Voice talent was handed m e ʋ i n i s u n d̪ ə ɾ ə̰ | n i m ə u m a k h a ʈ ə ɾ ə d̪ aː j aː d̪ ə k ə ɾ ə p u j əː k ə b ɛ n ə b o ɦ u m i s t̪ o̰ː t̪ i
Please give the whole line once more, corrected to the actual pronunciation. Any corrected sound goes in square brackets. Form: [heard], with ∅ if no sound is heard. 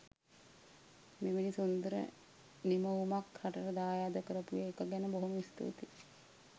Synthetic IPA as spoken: m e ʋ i n i s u n d̪ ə ɾ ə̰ | n i m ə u m a k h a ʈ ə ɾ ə d̪ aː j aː d̪ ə k ə ɾ ə p u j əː k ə [ɡ] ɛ n ə b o ɦ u m i s t̪ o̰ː t̪ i